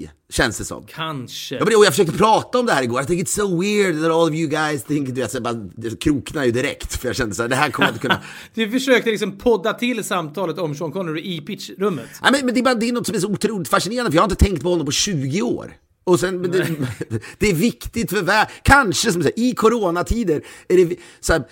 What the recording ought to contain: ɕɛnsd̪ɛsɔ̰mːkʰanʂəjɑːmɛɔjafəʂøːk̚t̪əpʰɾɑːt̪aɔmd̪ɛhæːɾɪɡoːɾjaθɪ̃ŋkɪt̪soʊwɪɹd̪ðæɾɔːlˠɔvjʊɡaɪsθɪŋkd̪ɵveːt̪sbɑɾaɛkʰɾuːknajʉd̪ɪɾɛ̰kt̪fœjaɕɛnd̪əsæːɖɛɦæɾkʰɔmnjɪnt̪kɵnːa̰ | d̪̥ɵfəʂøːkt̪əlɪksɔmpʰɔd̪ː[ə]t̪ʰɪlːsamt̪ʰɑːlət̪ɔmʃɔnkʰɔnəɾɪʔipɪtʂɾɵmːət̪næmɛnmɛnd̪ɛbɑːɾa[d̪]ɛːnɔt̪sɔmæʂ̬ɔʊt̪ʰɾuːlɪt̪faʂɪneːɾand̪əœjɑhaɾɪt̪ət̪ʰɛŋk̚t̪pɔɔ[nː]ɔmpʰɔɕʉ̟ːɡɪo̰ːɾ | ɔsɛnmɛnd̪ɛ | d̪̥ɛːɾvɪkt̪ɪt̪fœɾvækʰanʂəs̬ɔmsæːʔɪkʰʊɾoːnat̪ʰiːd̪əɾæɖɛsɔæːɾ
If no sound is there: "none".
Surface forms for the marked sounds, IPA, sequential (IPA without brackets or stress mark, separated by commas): a, d̪, nː